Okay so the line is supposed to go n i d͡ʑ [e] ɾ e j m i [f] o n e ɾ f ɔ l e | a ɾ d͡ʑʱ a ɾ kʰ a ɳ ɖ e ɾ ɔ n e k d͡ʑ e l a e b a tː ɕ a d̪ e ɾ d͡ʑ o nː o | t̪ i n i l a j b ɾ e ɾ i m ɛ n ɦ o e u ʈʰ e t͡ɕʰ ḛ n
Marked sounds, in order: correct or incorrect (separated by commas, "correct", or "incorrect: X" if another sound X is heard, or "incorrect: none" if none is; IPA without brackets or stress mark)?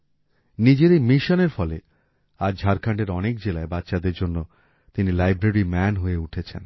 correct, incorrect: ʃ